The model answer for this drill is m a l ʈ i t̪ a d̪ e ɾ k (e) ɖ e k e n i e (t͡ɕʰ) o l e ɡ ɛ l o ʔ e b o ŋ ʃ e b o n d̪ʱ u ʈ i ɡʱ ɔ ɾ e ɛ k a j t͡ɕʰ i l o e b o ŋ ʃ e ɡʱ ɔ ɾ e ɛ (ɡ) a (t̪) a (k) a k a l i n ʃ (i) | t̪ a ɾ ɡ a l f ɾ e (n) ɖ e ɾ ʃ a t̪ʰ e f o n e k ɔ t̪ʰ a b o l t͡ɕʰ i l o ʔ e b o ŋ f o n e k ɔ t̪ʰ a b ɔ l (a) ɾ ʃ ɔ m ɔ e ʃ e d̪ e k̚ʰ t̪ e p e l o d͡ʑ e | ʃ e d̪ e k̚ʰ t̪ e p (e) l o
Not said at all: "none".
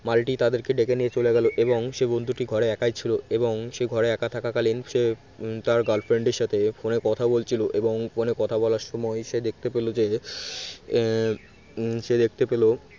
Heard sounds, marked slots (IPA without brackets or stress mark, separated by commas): e, t͡ɕ, k, t̪ʰ, k, e, ɳ, a, e